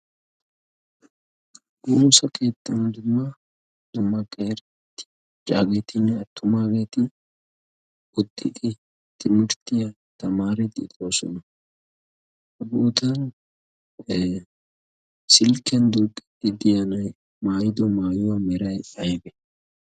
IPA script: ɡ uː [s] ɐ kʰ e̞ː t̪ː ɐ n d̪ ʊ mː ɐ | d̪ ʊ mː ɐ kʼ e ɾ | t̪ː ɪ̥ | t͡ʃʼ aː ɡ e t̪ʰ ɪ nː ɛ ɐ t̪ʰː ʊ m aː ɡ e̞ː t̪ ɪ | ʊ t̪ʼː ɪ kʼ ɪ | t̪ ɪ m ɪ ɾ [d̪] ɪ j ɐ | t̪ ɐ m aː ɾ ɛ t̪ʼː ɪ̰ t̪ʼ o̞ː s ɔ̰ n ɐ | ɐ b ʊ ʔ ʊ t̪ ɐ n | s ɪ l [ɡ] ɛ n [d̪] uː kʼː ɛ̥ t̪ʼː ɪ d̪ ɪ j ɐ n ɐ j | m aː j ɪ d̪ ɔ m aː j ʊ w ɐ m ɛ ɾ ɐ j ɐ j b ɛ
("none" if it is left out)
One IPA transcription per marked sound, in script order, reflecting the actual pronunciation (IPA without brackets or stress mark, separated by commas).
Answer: s, t̪, k, d̪